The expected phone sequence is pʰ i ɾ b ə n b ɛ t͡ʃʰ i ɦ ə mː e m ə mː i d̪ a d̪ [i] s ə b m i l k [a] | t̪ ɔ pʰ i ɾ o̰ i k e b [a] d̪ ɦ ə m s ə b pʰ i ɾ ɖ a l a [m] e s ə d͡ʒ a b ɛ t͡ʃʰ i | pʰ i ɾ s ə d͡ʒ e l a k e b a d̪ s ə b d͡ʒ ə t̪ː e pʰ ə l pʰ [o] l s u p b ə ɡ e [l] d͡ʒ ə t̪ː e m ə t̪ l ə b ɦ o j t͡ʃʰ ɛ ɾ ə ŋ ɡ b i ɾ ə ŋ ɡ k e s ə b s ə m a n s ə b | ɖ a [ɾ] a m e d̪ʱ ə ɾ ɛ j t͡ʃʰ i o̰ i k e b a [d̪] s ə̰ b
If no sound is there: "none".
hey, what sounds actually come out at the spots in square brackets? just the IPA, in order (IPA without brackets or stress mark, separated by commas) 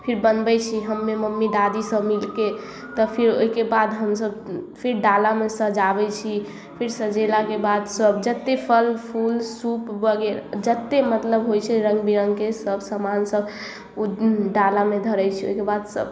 i, e, a, m, u, ɾ, l, d̪